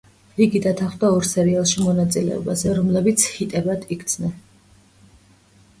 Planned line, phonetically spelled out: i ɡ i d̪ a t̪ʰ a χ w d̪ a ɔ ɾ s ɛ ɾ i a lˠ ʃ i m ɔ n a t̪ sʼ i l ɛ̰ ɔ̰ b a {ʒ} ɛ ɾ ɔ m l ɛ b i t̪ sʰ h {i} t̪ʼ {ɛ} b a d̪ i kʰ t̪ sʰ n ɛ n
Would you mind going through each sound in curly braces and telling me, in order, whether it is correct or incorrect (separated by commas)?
incorrect, correct, correct